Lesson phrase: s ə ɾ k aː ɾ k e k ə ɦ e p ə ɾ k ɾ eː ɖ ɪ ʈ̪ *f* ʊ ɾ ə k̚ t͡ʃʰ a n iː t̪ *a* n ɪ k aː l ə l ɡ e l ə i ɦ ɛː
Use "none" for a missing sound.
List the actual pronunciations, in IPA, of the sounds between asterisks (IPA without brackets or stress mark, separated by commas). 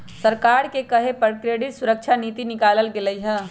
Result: s, i